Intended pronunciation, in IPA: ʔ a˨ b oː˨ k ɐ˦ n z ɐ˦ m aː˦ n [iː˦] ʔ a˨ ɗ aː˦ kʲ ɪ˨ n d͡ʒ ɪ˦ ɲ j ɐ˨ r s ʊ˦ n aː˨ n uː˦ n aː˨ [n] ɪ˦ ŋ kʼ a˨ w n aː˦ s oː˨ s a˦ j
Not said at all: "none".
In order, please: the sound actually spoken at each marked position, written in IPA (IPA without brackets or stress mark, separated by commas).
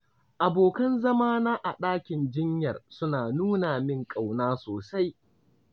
aː˦, m